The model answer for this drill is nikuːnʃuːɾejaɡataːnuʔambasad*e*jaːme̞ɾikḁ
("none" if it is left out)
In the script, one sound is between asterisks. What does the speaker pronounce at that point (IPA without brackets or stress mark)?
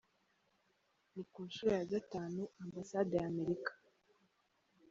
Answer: e